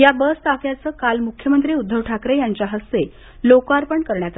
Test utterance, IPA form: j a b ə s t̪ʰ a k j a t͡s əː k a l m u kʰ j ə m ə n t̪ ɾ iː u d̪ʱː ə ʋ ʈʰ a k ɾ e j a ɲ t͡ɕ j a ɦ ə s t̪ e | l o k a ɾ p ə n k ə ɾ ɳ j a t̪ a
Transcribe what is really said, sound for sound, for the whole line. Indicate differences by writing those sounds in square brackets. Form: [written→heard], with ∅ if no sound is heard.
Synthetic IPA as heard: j a b ə s [t̪ʰ→t̪] a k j a t͡s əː k a l m u kʰ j ə m ə n t̪ ɾ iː u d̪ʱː ə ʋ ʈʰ a k ɾ e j a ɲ t͡ɕ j a ɦ ə s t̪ e | l o k a ɾ p ə [n→ɳ] k ə ɾ ɳ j a t̪ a

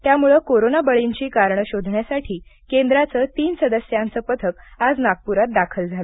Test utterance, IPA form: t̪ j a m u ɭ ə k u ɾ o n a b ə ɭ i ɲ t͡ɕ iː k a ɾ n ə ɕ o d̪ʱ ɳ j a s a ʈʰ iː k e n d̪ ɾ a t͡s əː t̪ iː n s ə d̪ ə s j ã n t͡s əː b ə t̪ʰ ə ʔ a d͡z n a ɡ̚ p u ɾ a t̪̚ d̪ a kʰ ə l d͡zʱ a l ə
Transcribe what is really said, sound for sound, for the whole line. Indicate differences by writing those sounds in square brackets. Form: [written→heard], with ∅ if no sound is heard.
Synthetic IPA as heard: t̪ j a m u ɭ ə k [u→o] ɾ o n a b ə ɭ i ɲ t͡ɕ iː k a ɾ [n→ɳ] ə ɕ o d̪ʱ ɳ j a s a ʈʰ iː k e n d̪ ɾ a t͡s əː t̪ iː n s ə d̪ ə s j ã n t͡s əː [b→p] ə t̪ʰ ə [ʔ→k] a d͡z n a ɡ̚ p u ɾ a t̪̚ d̪ a kʰ ə l d͡zʱ a l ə

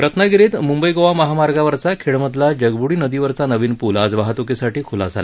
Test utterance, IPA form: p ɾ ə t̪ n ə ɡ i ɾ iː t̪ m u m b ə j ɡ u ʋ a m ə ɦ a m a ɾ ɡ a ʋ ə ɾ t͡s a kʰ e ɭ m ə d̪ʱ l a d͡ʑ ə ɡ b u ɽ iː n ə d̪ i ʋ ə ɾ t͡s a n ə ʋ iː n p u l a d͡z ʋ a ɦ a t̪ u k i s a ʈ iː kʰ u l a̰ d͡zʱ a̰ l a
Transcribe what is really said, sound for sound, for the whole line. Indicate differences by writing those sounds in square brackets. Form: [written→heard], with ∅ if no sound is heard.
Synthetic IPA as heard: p ɾ ə t̪ n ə ɡ i ɾ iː t̪ m u m b ə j ɡ [u→o] ʋ a m ə ɦ a m a ɾ ɡ a ʋ ə ɾ t͡s a kʰ e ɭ m ə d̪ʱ l a d͡ʑ ə ɡ b u ɽ iː n ə d̪ i ʋ ə ɾ t͡s a n ə ʋ iː n p u l a d͡z ʋ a ɦ a t̪ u k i s a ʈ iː kʰ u l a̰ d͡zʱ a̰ l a

